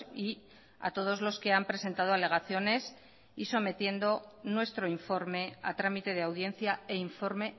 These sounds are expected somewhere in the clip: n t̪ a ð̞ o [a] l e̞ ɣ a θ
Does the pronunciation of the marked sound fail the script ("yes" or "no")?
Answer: no